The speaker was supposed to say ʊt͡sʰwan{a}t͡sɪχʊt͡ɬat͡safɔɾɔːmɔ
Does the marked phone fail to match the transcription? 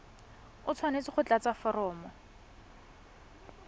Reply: yes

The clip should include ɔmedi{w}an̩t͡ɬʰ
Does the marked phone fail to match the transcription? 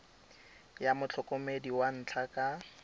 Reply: no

